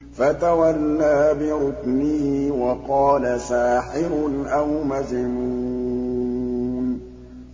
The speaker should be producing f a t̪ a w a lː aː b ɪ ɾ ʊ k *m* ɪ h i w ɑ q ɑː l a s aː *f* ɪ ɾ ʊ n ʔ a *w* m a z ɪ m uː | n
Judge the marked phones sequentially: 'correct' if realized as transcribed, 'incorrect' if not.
incorrect, incorrect, correct

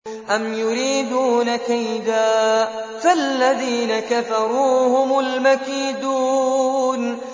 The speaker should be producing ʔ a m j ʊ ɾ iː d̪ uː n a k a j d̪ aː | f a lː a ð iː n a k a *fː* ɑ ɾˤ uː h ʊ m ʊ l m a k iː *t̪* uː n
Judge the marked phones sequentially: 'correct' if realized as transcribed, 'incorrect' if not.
incorrect, incorrect

